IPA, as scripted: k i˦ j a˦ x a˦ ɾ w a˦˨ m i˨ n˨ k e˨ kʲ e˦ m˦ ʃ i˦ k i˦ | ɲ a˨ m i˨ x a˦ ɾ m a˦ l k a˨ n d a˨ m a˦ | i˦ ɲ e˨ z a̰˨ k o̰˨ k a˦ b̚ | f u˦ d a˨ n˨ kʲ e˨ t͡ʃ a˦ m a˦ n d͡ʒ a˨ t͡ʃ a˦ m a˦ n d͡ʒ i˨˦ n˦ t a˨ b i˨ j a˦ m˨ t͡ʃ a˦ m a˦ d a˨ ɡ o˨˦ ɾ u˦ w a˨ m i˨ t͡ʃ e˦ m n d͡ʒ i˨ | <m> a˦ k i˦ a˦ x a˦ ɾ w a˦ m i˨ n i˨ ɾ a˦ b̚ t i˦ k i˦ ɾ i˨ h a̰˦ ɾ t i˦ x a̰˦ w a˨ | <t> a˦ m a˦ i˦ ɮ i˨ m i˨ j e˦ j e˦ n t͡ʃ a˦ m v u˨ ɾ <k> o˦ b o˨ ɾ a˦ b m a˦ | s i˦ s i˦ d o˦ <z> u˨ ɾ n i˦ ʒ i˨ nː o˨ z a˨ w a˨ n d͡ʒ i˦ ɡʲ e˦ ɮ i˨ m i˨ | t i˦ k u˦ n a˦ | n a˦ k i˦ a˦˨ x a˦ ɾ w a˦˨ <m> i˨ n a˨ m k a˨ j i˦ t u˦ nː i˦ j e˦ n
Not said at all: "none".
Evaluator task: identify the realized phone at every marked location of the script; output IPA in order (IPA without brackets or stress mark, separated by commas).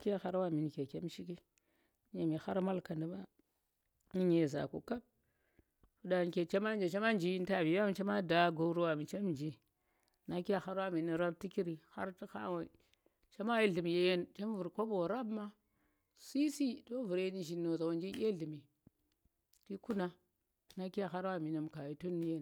n, t͡ʃ, k, v, m